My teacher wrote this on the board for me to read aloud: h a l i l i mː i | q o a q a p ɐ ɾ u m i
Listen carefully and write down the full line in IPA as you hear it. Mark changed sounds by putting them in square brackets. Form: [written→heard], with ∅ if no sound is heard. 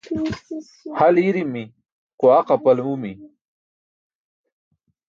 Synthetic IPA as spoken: h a l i [l→ɾ] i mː i | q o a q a p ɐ [ɾ→l] u m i

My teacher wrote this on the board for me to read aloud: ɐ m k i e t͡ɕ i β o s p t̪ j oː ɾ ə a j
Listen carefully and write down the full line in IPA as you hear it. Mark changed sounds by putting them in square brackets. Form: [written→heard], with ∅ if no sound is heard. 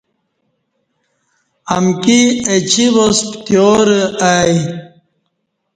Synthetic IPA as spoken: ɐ m k i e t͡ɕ i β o s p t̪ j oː ɾ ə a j

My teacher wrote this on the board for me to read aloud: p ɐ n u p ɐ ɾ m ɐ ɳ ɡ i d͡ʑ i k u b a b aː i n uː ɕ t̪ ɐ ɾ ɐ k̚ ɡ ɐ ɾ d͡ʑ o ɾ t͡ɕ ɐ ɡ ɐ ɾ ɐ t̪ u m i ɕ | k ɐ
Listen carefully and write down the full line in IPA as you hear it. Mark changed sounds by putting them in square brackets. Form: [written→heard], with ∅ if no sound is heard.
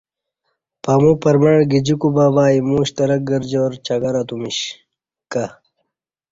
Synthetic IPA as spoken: p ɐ [n→m] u p ɐ ɾ m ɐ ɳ ɡ i d͡ʑ i k u b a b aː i [n→m] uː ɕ t̪ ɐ ɾ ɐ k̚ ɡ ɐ ɾ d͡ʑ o ɾ t͡ɕ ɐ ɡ ɐ ɾ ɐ t̪ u m i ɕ | k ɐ

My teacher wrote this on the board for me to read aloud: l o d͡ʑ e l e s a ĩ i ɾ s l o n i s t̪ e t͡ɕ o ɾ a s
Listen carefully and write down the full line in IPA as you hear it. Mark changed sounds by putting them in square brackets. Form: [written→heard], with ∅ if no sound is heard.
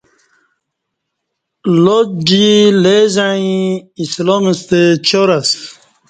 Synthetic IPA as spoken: l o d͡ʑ [e→i] l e [s→z] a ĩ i [ɾ→∅] s l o [n→m] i s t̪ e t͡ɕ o ɾ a s

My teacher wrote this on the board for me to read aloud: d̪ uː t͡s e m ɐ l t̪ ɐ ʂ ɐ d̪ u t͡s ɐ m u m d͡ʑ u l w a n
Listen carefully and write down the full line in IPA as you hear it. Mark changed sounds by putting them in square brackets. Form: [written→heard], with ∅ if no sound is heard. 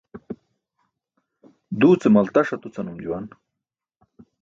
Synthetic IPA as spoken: d̪ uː t͡s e m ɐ l t̪ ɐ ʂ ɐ [d̪→t̪] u t͡s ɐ [m→n] u m d͡ʑ u [l→∅] w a n

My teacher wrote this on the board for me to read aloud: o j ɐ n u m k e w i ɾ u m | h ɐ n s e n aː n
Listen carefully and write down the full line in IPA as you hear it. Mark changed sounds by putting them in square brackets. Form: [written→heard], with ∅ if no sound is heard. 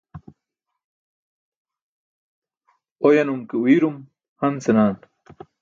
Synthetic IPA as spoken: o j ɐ n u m k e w i ɾ u m | h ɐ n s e n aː n

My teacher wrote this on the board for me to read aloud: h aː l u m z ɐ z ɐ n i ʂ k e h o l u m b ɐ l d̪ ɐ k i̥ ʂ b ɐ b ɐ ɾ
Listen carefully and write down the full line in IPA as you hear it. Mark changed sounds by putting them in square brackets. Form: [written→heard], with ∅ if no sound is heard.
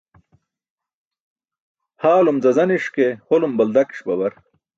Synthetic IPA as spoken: h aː l u m z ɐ z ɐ n i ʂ k e h o l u m b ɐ l d̪ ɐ k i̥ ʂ b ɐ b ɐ ɾ

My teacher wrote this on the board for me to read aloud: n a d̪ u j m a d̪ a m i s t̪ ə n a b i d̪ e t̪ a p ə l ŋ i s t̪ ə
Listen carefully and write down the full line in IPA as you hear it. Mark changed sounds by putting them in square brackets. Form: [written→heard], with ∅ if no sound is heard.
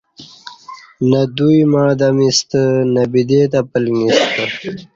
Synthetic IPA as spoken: n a d̪ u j m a d̪ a m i s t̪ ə n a b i d̪ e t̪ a p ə l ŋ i s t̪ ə

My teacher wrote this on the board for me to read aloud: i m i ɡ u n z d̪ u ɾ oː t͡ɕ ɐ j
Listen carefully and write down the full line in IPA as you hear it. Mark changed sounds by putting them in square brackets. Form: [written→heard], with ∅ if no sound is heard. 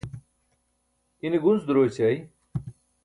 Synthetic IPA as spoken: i [m→n] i ɡ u n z d̪ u ɾ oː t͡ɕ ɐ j

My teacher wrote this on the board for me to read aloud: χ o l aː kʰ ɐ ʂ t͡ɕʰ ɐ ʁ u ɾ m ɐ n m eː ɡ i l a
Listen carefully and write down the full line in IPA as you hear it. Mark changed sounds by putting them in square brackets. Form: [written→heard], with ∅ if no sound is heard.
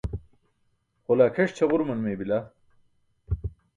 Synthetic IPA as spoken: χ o l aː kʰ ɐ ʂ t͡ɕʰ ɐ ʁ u ɾ m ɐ n m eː [ɡ→b] i l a

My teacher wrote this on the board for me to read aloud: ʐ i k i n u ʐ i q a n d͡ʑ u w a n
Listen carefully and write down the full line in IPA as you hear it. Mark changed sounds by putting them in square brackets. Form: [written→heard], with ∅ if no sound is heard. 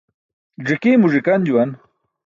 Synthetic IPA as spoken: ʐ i k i [n→m] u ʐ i [q→k] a n d͡ʑ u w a n

